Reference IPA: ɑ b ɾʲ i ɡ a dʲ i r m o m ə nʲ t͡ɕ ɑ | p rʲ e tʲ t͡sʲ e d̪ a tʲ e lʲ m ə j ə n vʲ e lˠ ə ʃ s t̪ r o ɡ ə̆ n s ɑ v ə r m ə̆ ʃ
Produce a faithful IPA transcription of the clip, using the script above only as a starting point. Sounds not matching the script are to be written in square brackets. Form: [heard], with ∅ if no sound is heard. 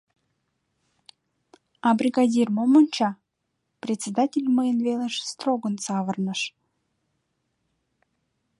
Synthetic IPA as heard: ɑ b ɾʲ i ɡ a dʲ i r m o m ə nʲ t͡ɕ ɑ | p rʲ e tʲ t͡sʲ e d̪ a tʲ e lʲ m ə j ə n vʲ e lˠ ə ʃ s t̪ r o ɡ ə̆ n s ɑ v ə r [n] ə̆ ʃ